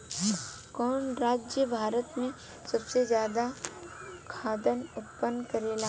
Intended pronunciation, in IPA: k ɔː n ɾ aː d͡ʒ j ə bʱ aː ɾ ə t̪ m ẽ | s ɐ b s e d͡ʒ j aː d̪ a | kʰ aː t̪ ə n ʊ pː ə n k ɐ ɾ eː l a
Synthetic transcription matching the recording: k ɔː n ɾ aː d͡ʒ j ə bʱ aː ɾ ə t̪ m ẽ | s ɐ b s e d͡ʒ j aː d̪ a | kʰ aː d̪ ə n ʊ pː ə n k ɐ ɾ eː l a

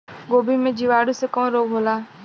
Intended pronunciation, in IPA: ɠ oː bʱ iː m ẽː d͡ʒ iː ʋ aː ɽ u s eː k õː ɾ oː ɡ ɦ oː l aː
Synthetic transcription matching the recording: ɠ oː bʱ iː m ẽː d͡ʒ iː ʋ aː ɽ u s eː k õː ɾ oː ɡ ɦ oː l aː

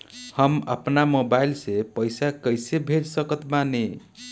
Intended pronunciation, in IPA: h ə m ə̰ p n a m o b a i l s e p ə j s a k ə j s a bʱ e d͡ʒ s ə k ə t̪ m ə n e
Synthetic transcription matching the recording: h ə m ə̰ p n a m o b a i l s e p ə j s a k ə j s e bʱ e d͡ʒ s ə k ə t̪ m a n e

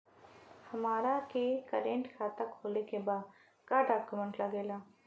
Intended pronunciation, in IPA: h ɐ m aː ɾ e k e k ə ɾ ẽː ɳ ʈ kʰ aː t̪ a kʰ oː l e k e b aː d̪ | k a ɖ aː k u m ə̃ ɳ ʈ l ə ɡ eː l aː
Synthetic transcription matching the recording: h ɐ m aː ɾ a k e k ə ɾ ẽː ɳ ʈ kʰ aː t̪ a kʰ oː l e k e b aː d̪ | k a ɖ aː k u m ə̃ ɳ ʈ l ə ɡ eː l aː

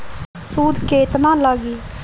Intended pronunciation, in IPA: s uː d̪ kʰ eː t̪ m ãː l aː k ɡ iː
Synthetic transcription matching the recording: s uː d̪ k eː t̪ n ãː l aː ɡ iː

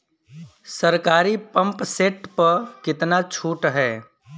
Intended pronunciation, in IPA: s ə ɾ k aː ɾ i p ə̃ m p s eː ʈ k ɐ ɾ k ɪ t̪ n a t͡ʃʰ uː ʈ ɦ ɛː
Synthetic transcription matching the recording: s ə ɾ k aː ɾ i p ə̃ m p s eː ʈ p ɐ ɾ k ɪ t̪ n a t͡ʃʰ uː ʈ ɦ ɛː

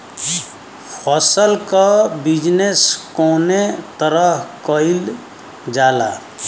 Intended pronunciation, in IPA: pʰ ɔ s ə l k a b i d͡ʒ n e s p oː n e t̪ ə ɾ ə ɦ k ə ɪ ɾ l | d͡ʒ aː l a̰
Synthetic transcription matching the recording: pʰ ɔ s ə l k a b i d͡ʒ n e s k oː n e t̪ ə ɾ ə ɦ k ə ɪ l | d͡ʒ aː l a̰

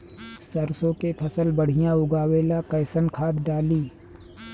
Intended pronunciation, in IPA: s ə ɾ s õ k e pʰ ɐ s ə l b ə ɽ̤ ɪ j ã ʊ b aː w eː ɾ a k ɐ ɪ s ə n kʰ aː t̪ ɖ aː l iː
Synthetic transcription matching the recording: s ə ɾ s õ k e pʰ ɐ s ə l b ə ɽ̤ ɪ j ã ʊ ɡ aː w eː l a k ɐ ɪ s ə n kʰ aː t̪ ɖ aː l iː

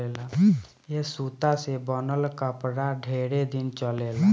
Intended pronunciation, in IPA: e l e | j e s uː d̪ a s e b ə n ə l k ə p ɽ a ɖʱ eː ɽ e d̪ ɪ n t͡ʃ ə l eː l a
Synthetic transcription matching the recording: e l a | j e s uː t̪ a s e b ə n ə l k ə p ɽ a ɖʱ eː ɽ e d̪ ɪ n t͡ʃ ə l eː l a

